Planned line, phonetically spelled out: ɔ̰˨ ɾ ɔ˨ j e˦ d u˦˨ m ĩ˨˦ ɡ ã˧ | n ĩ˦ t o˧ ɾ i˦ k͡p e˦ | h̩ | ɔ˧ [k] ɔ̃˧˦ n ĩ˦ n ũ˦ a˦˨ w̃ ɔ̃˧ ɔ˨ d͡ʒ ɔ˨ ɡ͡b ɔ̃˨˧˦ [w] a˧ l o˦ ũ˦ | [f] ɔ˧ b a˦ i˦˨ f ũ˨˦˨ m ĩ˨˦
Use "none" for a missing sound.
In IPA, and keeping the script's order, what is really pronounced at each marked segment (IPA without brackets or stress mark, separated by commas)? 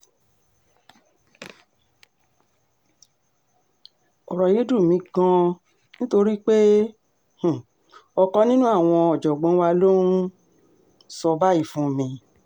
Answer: k, w, s